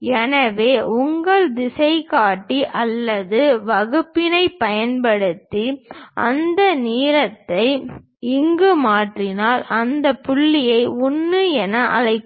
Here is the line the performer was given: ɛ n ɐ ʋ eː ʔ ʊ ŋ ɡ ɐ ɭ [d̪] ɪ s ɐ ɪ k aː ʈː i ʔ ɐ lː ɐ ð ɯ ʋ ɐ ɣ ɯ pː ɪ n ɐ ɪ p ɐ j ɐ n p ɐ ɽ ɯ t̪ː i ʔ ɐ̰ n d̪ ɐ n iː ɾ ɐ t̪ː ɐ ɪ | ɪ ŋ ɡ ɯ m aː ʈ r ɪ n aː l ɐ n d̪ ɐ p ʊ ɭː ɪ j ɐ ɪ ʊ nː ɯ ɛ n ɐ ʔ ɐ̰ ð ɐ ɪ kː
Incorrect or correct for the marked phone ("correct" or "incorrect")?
correct